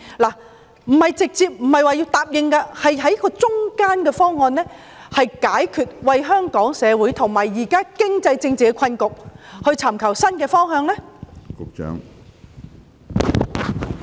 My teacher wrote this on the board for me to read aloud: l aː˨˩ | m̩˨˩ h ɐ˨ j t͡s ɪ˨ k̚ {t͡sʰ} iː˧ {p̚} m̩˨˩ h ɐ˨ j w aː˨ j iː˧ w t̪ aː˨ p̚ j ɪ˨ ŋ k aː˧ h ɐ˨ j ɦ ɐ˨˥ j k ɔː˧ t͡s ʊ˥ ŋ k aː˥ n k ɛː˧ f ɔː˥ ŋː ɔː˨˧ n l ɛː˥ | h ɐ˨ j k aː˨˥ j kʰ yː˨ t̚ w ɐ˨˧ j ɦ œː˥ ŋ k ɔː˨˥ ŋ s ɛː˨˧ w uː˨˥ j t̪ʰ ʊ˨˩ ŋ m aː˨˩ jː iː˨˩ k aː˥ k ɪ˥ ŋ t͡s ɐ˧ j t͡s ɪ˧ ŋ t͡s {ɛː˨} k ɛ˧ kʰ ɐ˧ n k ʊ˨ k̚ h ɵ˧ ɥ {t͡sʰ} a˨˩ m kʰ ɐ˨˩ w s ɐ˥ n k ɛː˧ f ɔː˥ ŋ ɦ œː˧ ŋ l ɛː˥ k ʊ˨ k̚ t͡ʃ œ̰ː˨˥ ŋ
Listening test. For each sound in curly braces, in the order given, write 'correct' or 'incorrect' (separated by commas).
incorrect, correct, incorrect, correct